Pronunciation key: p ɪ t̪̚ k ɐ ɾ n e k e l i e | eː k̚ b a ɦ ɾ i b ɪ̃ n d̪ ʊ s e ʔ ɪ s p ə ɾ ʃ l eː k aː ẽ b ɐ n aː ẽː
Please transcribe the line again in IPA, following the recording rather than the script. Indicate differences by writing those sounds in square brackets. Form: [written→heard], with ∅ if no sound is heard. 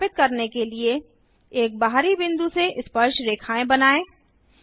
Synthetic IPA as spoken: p ɪ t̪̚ k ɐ ɾ n e k e l i e | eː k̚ b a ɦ ɾ i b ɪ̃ n d̪ [ʊ→u] s e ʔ ɪ s p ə ɾ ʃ [l→ɾ] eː [k→kʰ] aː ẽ b ɐ n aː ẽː